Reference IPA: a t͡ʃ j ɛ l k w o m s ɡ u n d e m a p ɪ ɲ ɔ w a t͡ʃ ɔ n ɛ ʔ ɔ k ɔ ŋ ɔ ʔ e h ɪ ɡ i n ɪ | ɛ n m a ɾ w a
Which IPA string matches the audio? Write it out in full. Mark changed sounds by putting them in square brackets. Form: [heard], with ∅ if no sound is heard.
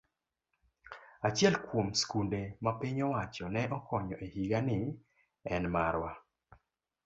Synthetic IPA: a t͡ʃ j ɛ l k w o m s [k] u n d e m a p ɪ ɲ ɔ w a t͡ʃ ɔ n ɛ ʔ ɔ k ɔ [ɲ] ɔ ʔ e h [i] ɡ [a] n ɪ | ɛ n m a ɾ w a